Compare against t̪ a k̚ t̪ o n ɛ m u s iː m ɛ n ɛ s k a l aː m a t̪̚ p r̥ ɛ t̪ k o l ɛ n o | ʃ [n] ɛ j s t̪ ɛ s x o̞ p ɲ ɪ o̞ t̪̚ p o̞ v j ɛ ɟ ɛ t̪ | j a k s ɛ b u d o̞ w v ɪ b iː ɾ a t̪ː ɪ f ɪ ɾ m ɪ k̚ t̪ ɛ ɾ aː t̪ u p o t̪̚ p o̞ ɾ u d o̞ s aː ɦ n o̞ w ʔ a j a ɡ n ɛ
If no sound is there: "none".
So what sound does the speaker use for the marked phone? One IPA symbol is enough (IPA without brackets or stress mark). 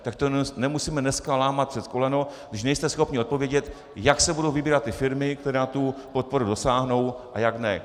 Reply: n